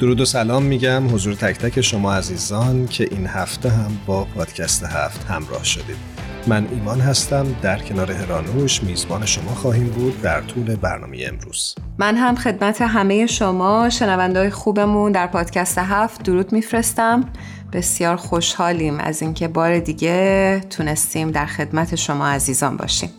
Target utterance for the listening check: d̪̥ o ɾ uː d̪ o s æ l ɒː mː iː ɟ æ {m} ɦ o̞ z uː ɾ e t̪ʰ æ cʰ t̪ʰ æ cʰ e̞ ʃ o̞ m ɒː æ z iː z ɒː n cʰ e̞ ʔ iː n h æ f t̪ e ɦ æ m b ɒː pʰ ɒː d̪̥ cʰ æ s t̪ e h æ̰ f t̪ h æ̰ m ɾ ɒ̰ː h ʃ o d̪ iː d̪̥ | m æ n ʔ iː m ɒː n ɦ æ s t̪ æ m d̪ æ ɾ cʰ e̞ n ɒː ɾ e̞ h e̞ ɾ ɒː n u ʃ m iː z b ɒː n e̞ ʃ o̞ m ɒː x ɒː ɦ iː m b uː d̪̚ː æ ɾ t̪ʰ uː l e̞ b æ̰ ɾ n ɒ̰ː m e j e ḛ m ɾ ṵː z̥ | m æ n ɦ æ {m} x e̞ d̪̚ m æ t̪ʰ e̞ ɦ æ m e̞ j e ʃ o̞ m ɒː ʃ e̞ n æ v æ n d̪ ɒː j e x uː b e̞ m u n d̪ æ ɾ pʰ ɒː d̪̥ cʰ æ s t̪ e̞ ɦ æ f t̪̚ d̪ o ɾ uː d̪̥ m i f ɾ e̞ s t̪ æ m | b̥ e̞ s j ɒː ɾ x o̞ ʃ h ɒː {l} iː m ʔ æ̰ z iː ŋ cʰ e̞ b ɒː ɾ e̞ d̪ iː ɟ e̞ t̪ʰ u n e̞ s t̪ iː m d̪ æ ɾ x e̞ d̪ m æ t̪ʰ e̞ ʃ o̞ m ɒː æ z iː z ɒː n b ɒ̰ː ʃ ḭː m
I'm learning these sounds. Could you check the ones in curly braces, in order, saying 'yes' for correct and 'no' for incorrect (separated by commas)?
yes, yes, yes